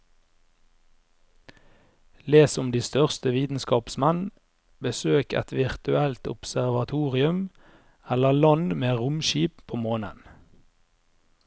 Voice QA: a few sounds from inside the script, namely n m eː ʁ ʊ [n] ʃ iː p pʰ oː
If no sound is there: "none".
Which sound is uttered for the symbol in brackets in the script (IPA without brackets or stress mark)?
m